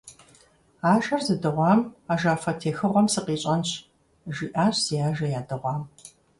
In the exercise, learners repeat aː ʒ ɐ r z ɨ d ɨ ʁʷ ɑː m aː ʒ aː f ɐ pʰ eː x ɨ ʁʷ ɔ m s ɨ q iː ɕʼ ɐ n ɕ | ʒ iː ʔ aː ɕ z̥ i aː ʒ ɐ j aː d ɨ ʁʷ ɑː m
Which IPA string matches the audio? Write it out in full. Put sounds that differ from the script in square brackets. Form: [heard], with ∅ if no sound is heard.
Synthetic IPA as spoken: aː ʒ ɐ r z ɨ d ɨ ʁʷ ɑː m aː ʒ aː f ɐ [tʰ] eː x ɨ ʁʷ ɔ m s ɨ q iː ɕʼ ɐ n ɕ | ʒ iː ʔ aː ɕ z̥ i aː ʒ ɐ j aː d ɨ ʁʷ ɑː m